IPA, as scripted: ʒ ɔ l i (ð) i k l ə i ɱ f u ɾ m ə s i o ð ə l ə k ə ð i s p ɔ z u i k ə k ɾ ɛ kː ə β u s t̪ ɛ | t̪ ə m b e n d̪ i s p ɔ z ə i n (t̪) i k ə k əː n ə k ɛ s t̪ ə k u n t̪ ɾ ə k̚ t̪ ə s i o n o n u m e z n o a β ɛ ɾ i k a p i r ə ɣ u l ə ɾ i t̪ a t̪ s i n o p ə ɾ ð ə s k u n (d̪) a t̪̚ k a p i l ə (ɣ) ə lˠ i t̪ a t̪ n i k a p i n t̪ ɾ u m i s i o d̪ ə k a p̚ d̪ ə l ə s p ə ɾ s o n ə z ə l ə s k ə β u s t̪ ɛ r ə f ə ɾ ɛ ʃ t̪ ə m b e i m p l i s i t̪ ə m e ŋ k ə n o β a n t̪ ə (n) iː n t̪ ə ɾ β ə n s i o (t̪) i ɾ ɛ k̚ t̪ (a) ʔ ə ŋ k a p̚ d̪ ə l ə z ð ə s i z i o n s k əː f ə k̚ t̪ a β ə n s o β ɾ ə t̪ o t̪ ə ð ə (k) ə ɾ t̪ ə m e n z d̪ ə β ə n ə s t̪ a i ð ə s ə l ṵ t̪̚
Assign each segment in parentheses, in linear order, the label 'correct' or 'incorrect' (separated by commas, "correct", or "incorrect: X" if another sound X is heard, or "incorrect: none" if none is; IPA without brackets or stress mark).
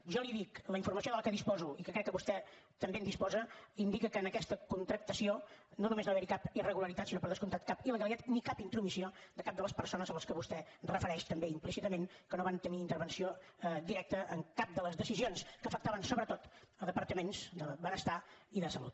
correct, incorrect: d̪, incorrect: t̪, correct, correct, incorrect: d̪, incorrect: ə, incorrect: p